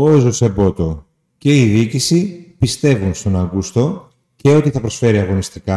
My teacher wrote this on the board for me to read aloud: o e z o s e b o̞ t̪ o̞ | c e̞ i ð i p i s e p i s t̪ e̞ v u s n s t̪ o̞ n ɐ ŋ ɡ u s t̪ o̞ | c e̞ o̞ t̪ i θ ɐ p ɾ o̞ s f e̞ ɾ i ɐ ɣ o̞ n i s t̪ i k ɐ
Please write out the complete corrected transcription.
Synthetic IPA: o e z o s e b o̞ t̪ o̞ | c e̞ i ð i c i s i p i s t̪ e̞ v u n s t̪ o̞ n ɐ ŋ ɡ u s t̪ o̞ | c e̞ o̞ t̪ i θ ɐ p ɾ o̞ s f e̞ ɾ i ɐ ɣ o̞ n i s t̪ i k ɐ